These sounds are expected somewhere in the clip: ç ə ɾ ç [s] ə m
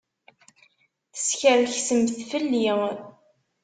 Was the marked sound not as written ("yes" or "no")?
no